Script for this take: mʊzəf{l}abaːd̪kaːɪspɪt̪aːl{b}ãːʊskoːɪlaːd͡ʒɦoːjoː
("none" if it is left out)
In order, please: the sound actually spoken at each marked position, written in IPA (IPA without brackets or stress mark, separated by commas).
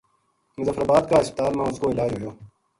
ɾ, m